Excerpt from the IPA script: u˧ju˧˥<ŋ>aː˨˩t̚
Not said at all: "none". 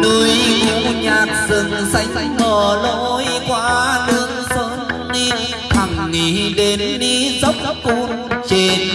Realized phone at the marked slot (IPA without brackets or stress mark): ɲ